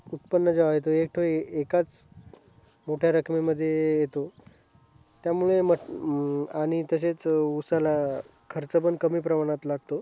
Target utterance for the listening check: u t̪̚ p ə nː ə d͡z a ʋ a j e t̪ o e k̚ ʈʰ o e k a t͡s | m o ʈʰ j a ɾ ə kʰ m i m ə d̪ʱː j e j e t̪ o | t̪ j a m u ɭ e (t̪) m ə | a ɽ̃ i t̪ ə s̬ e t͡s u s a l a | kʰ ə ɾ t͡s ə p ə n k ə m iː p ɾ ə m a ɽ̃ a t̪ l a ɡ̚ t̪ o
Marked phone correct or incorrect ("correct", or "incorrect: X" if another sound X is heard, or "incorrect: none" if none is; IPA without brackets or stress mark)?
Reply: incorrect: none